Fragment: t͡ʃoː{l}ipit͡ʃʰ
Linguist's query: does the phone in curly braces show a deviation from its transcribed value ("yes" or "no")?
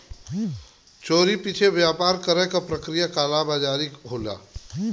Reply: yes